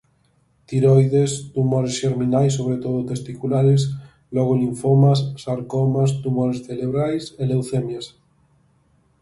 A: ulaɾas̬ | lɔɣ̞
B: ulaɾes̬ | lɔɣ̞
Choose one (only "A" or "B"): B